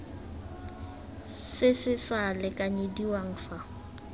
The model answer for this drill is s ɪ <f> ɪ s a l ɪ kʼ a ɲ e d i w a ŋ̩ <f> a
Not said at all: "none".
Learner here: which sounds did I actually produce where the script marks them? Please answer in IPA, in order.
s, f

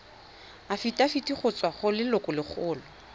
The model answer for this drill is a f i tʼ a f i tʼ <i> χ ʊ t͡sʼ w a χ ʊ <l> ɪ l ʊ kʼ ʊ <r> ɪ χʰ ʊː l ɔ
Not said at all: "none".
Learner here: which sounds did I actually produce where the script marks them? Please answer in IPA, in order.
i, l, l

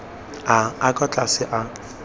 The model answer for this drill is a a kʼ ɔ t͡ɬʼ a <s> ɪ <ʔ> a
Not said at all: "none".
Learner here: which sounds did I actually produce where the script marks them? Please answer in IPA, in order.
s, ʔ

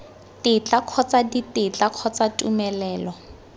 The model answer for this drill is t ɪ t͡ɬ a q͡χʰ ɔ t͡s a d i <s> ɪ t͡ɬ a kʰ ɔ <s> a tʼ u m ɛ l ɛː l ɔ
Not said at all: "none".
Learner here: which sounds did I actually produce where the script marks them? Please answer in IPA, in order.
t, t͡s

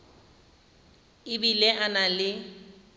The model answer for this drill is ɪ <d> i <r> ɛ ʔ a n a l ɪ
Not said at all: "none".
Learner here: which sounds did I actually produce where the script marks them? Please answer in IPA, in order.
b, l

